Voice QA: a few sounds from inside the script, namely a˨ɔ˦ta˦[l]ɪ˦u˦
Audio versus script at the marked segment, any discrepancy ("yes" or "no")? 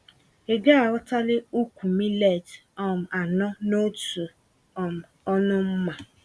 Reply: no